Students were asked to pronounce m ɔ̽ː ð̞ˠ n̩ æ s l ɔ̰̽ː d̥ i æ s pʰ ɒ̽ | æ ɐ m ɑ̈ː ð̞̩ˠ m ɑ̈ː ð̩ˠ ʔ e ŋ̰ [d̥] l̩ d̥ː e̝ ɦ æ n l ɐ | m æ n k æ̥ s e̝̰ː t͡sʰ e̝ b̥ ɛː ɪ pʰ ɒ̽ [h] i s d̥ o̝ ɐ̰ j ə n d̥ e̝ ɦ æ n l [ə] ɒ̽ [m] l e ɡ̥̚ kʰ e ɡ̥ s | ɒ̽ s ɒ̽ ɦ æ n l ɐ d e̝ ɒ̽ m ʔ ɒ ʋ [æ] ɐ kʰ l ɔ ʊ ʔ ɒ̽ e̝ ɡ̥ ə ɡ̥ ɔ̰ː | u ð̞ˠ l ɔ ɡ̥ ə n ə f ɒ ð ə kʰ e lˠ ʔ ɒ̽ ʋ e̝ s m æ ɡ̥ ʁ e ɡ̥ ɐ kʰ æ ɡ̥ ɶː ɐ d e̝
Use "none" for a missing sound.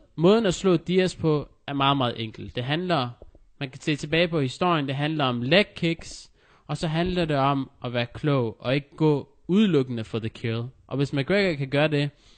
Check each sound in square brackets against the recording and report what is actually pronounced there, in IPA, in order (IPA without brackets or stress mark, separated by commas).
ɡ̥, h, ɐ, m, æː